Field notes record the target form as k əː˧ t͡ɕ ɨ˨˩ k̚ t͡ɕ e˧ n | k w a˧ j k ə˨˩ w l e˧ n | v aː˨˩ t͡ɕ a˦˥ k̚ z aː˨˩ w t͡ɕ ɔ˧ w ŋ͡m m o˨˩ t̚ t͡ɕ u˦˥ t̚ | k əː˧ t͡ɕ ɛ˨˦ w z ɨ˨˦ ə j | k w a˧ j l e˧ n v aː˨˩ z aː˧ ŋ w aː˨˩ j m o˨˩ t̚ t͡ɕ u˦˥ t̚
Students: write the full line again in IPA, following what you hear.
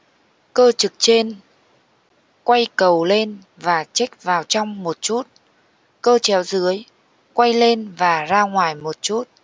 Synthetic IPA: k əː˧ t͡ɕ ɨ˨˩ k̚ t͡ɕ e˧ n | k w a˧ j k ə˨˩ w l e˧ n | v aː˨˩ t͡ɕ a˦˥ k̚ v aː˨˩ w t͡ɕ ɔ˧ w ŋ͡m m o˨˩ t̚ t͡ɕ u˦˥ t̚ | k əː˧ t͡ɕ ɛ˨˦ w z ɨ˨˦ ə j | k w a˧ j l e˧ n v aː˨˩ z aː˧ ŋ w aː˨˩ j m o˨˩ t̚ t͡ɕ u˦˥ t̚

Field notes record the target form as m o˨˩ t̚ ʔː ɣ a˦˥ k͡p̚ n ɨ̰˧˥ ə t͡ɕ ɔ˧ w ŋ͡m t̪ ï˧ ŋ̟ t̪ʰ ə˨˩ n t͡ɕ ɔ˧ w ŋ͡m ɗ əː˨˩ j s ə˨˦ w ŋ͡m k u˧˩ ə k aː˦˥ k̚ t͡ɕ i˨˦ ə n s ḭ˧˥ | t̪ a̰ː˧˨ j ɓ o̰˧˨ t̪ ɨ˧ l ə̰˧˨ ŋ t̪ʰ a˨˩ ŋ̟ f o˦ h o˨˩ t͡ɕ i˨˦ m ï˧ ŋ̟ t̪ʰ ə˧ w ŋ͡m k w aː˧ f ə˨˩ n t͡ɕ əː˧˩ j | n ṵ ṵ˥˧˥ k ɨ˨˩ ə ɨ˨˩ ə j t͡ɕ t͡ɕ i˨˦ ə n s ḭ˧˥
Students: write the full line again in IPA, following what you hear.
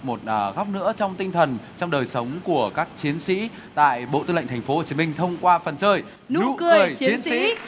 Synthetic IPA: m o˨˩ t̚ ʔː ɣ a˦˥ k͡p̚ n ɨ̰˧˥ ə t͡ɕ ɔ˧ w ŋ͡m t̪ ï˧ ŋ̟ t̪ʰ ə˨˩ n t͡ɕ ɔ˧ w ŋ͡m ɗ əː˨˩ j s ə˨˦ w ŋ͡m k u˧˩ ə k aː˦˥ k̚ t͡ɕ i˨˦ ə n s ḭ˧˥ | t̪ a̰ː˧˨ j ɓ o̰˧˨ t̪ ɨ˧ l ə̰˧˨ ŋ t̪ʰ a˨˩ ŋ̟ f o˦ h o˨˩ t͡ɕ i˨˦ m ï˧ ŋ̟ t̪ʰ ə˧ w ŋ͡m k w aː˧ f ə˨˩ n t͡ɕ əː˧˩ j | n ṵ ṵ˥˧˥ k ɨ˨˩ ə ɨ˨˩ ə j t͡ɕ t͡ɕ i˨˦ ə n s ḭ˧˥

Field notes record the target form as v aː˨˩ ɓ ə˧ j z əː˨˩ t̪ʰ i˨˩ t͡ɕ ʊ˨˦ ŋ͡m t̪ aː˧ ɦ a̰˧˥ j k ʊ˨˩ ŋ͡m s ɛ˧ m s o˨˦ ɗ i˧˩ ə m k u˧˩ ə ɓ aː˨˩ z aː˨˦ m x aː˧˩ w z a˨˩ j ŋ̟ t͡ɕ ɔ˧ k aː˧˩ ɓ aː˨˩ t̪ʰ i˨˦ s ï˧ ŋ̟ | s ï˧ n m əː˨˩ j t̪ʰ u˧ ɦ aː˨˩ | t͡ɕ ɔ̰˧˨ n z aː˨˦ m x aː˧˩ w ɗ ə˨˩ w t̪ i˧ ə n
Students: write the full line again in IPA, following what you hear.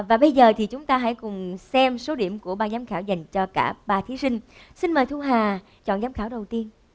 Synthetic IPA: v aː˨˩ ɓ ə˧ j z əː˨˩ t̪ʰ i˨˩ t͡ɕ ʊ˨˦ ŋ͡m t̪ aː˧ ɦ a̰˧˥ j k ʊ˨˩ ŋ͡m s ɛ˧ m s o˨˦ ɗ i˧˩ ə m k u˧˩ ə ɓ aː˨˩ z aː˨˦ m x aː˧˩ w z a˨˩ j ŋ̟ t͡ɕ ɔ˧ k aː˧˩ ɓ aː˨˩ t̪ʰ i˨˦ s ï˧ ŋ̟ | s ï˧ n m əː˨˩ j t̪ʰ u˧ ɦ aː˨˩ | t͡ɕ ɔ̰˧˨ n z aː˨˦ m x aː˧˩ w ɗ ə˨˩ w t̪ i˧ ə n

